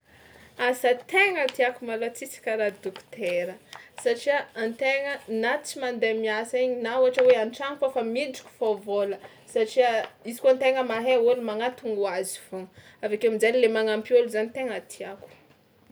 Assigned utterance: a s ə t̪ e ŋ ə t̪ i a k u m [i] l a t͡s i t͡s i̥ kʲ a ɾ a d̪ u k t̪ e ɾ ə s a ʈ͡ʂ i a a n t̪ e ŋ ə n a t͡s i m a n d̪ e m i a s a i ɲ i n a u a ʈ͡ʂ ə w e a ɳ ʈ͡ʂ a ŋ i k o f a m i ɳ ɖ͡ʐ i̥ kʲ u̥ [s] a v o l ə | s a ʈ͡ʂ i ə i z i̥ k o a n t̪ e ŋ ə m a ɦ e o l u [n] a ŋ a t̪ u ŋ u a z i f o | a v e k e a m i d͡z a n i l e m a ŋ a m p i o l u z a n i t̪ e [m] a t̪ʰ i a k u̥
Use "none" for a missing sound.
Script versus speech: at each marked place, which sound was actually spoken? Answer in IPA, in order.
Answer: a, f, m, ŋ

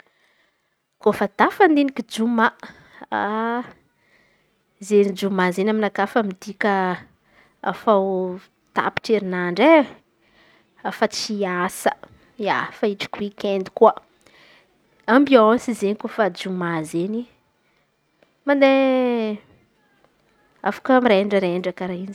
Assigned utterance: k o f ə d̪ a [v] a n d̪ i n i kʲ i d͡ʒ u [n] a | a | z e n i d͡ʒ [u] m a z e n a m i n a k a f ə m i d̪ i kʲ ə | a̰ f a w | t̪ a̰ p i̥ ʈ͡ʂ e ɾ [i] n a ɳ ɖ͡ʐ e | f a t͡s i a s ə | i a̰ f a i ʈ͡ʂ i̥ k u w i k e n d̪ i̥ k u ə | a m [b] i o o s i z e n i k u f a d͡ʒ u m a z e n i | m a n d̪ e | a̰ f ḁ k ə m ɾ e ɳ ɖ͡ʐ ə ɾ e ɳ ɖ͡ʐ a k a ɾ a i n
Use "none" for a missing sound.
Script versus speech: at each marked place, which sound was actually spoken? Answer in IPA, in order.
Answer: f, m, u, i, b

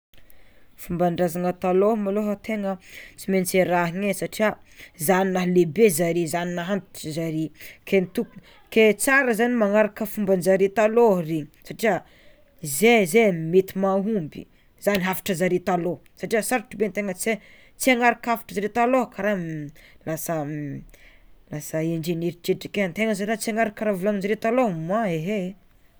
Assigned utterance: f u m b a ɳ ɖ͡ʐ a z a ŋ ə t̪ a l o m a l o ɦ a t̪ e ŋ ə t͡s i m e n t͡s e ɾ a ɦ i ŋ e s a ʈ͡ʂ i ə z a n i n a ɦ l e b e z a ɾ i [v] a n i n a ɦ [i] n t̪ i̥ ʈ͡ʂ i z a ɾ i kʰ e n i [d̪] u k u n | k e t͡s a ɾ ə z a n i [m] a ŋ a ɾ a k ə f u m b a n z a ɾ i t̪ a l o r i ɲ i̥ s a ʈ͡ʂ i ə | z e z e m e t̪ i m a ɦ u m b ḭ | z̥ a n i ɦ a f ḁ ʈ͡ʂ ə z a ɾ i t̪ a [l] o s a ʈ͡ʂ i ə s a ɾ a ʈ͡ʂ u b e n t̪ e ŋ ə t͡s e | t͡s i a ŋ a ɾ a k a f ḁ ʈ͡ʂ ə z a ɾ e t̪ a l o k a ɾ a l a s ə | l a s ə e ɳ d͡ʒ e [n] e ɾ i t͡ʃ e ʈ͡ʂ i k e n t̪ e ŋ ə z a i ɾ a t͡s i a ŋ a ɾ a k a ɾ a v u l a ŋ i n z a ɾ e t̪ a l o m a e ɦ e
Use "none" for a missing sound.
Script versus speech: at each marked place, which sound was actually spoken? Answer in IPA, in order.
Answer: z, a, t̪, m, l, n

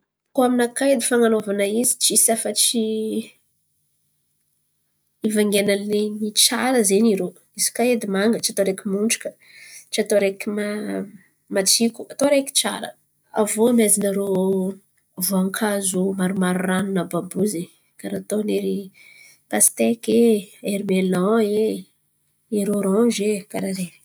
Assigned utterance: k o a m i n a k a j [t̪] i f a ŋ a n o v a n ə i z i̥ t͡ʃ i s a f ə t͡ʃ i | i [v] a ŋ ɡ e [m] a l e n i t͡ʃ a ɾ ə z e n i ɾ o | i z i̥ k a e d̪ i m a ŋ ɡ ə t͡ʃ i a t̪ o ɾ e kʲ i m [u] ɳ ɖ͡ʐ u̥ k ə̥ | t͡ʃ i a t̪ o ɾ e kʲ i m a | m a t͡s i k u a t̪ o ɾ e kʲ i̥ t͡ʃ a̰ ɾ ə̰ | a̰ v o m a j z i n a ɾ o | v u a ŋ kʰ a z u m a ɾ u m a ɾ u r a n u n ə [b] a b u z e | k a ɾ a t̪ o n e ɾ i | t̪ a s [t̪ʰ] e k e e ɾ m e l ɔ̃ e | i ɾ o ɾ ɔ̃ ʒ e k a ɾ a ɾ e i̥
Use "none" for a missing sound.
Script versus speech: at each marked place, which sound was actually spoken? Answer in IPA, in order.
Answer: d̪, v, n, u, b, t̪

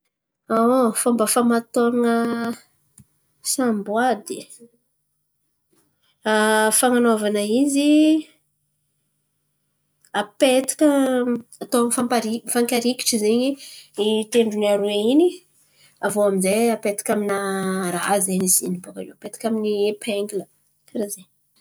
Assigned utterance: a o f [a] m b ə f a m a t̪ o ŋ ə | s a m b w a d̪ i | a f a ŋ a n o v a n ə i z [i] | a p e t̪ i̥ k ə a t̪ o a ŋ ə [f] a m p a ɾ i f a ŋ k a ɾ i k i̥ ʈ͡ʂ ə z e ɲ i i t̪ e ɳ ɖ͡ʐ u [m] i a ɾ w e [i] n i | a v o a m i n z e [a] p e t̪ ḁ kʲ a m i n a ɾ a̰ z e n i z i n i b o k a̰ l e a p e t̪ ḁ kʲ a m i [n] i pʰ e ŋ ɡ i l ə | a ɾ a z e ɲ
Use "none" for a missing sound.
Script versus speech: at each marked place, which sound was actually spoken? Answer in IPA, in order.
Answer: a, i, f, n, i, a, n

